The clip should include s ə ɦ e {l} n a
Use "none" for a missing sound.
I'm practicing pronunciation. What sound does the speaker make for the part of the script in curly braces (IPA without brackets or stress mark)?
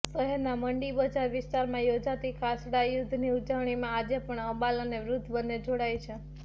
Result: ɾ